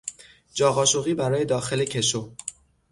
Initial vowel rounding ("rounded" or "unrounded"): rounded